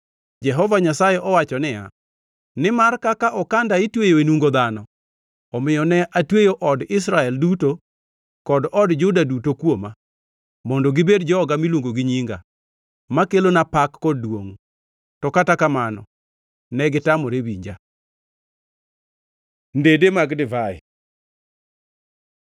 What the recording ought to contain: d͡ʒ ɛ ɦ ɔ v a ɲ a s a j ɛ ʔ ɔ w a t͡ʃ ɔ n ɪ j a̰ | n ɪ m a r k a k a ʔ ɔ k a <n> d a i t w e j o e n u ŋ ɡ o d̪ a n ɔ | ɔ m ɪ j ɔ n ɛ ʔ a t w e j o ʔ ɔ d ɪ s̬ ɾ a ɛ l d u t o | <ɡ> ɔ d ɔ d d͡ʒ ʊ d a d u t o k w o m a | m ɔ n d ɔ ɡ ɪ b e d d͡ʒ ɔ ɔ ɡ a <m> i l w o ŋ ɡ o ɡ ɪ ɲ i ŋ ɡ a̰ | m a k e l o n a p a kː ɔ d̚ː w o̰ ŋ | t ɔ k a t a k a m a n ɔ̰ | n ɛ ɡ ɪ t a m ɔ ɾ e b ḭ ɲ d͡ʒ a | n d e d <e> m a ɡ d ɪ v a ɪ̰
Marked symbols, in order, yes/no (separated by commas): yes, no, yes, yes